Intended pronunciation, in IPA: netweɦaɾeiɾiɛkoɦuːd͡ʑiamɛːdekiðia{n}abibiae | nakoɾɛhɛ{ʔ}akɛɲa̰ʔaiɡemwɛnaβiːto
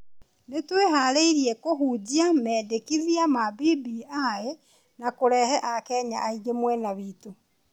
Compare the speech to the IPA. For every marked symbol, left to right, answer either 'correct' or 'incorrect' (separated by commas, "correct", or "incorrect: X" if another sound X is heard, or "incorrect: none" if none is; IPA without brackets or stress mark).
incorrect: m, correct